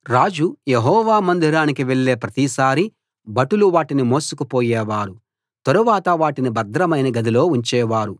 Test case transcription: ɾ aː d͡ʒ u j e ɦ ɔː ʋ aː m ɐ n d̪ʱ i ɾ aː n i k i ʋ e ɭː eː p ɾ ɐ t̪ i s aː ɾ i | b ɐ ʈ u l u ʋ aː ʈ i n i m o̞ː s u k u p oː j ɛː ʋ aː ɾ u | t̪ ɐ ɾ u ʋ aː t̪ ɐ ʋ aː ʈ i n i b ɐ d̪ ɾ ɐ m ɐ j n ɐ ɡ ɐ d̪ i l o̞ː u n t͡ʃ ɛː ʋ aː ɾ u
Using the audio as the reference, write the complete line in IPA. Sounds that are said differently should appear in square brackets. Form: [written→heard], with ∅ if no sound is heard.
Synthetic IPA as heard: ɾ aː d͡ʒ u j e ɦ ɔː ʋ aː m ɐ n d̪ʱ i ɾ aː n i k i ʋ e ɭː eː p ɾ ɐ t̪ i s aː ɾ i | b ɐ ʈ u l u ʋ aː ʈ i n i m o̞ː s u k u p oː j ɛː ʋ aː ɾ u | t̪ ɐ ɾ u ʋ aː t̪ ɐ ʋ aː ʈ i n i b ɐ d̪ ɾ ɐ m ɐ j n ɐ ɡ ɐ d̪ i l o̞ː u [n→ɲ] t͡ʃ ɛː ʋ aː ɾ u